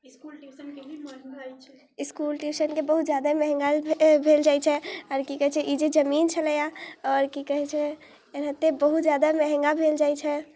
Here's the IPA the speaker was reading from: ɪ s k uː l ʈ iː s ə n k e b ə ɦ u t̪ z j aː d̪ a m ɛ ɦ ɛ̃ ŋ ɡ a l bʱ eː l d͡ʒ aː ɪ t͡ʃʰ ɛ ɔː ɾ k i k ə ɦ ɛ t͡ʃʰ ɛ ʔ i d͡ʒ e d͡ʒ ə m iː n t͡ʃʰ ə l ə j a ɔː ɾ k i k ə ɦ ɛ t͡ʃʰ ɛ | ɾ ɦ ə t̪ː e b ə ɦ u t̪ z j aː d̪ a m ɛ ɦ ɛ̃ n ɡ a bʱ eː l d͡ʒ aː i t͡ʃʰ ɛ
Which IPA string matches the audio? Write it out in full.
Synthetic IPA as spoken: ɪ s k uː l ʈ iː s ə n k e b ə ɦ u t̪ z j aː d̪ a m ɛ ɦ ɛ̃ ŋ ɡ a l bʱ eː l d͡ʒ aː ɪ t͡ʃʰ ɛ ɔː ɾ k i k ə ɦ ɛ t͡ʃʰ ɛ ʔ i d͡ʒ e d͡ʒ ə m iː n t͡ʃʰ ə l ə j a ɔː ɾ k i k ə ɦ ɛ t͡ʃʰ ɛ | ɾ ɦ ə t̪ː e b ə ɦ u t̪ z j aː d̪ a m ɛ ɦ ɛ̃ ŋ ɡ a bʱ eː l d͡ʒ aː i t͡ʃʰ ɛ

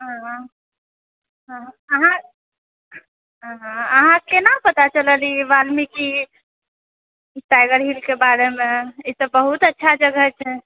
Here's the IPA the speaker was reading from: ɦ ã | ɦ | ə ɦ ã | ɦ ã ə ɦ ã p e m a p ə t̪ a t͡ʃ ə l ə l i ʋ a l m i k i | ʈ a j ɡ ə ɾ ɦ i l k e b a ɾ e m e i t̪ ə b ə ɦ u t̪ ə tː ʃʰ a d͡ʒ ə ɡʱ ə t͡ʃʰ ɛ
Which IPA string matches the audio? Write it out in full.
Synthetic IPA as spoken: ɦ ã | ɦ | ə ɦ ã | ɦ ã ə ɦ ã k e n a p ə t̪ a t͡ʃ ə l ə l i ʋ a l m i k i | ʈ a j ɡ ə ɾ ɦ i l k e b a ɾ e m e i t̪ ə b ə ɦ u t̪ ə tː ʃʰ a d͡ʒ ə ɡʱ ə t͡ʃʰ ɛ

